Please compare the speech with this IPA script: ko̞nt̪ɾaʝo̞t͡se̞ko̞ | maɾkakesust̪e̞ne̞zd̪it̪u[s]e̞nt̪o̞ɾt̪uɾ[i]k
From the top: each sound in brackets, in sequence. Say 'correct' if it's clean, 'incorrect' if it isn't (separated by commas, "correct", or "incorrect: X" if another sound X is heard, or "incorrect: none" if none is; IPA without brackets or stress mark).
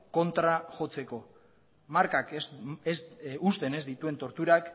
incorrect: none, incorrect: a